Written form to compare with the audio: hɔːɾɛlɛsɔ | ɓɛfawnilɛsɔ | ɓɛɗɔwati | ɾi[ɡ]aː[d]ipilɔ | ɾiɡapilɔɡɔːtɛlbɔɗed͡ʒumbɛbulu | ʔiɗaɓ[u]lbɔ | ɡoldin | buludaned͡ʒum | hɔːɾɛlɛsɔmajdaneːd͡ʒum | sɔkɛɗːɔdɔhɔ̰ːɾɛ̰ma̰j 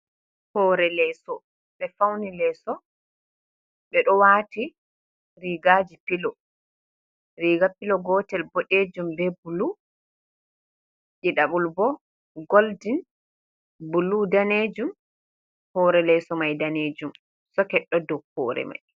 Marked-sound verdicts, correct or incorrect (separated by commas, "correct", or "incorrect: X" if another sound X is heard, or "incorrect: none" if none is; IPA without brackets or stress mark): correct, incorrect: d͡ʒ, correct